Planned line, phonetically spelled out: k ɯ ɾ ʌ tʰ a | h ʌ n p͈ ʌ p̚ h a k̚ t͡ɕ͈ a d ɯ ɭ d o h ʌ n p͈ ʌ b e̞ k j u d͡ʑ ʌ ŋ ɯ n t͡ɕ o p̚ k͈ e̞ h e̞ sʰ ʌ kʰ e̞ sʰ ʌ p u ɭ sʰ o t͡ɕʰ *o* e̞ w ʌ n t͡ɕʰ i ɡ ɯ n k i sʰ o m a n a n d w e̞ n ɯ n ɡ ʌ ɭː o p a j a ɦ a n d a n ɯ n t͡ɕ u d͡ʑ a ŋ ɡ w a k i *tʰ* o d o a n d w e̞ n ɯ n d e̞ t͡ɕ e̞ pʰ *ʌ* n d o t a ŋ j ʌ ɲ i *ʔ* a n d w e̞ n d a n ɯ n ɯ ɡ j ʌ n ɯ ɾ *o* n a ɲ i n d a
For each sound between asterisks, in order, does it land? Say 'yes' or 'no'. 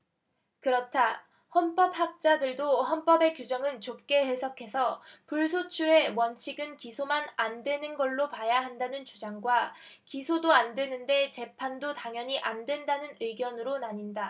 no, no, no, yes, yes

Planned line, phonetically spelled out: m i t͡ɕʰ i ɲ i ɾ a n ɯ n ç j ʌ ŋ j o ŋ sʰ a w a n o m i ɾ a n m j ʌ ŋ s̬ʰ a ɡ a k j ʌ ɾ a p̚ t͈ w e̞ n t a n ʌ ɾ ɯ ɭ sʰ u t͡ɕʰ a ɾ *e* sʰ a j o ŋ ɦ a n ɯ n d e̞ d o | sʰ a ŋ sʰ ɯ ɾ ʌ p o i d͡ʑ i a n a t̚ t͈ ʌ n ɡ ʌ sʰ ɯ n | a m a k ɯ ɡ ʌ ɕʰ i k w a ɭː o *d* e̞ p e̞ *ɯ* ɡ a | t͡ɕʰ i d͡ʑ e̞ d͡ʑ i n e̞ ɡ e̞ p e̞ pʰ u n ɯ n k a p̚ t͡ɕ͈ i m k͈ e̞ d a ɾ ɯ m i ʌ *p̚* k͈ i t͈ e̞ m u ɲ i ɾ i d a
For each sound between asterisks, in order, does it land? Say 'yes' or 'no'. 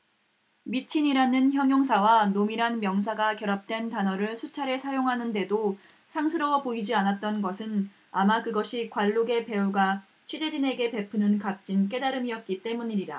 yes, no, no, no

